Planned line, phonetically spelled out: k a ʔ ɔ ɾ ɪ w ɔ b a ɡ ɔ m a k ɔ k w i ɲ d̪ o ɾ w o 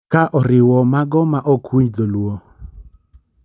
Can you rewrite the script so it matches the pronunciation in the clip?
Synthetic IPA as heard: k a ʔ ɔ ɾ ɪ w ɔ m a ɡ ɔ m a ʔ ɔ k w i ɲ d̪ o l w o